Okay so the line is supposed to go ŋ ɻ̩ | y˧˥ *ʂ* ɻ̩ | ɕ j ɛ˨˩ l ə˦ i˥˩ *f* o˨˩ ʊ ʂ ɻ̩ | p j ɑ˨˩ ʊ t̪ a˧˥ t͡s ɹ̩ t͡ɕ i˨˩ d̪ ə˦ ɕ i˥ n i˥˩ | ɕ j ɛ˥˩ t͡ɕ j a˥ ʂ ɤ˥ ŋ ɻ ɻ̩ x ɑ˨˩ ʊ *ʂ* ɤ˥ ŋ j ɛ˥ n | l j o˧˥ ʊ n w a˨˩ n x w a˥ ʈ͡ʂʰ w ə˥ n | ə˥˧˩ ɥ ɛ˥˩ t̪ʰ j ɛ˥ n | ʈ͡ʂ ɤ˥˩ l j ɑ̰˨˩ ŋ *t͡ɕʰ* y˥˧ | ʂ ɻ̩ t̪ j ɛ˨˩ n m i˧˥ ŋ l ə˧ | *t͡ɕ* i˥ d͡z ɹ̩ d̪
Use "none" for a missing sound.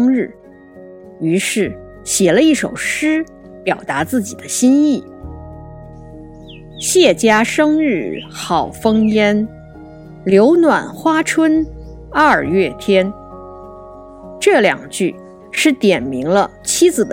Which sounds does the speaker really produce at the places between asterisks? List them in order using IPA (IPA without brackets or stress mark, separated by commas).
ʂ, ʂ, f, t͡ɕ, t͡ɕʰ